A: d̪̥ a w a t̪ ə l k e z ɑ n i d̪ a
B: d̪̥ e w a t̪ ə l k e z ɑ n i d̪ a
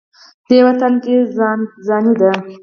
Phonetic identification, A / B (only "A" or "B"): B